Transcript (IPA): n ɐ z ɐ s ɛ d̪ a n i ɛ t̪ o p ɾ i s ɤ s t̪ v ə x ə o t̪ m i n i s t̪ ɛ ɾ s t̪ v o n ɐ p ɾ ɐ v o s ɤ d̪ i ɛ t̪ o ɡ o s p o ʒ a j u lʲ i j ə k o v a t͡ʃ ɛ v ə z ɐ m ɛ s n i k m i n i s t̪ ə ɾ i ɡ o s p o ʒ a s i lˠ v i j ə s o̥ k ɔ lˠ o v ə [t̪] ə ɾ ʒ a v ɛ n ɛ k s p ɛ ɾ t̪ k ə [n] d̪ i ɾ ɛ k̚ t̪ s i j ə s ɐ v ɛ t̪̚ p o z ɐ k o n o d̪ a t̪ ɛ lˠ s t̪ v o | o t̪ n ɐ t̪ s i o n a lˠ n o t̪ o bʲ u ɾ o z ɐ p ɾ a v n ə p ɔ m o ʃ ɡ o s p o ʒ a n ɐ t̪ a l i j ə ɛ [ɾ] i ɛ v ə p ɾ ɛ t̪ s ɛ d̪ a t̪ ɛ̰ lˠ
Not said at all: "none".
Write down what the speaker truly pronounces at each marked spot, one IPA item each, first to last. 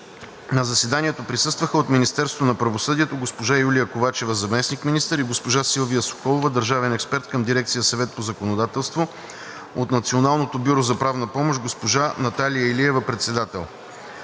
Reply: d̪, m, l

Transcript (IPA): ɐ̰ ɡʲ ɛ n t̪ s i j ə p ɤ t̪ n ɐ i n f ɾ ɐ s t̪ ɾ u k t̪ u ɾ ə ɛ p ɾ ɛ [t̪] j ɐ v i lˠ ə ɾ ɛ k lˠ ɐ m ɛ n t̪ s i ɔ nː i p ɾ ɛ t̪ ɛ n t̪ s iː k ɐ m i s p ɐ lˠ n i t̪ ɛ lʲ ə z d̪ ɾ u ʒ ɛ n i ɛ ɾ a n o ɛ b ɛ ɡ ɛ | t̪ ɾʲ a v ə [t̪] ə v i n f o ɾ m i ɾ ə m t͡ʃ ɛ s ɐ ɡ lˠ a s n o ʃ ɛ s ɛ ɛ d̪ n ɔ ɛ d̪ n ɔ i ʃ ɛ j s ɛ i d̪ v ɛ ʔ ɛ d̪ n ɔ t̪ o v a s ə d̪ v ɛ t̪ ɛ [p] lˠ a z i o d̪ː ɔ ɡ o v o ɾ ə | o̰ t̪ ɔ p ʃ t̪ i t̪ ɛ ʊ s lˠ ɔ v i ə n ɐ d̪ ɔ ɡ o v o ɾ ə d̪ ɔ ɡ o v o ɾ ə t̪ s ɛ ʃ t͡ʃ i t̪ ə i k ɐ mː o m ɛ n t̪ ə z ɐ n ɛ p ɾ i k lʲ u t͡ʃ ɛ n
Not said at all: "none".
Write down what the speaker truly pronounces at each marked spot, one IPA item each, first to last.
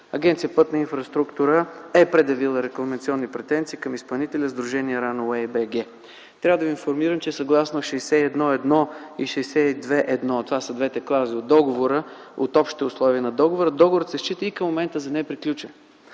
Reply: d̪, d̪, k

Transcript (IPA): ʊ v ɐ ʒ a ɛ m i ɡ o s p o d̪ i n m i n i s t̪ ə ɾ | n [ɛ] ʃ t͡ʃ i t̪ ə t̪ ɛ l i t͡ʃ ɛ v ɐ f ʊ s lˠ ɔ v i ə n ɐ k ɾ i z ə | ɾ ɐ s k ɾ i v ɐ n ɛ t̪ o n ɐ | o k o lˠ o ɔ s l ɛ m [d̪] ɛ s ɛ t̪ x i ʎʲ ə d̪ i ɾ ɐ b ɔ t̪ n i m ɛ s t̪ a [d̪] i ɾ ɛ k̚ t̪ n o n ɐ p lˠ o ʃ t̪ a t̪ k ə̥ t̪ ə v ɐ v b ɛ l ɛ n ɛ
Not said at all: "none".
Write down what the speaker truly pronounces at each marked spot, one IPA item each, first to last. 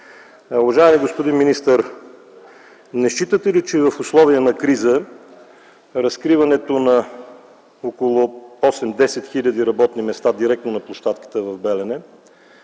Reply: ɛ, d̪, d̪

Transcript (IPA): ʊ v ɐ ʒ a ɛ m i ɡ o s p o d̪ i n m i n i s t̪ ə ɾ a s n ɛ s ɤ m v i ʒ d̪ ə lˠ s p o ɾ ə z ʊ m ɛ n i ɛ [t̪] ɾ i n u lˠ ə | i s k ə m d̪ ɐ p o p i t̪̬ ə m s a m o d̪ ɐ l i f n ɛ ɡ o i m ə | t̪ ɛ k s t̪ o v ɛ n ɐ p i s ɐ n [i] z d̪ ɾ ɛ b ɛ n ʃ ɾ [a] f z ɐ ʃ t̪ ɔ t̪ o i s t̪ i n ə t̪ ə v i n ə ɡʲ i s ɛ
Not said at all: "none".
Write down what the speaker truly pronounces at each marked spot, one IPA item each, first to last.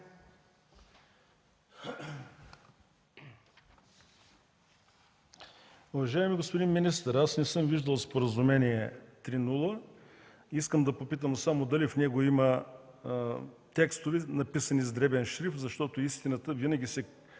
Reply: t̪, i, i

